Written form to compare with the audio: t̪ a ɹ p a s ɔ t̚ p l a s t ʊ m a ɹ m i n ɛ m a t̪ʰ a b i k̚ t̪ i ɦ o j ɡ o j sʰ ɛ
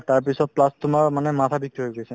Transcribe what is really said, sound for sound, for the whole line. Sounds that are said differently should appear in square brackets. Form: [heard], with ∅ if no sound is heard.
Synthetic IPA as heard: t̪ a ɹ p [i] s ɔ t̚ p l a s t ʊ m a ɹ m [a] n ɛ m a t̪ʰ a b i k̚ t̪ i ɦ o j ɡ o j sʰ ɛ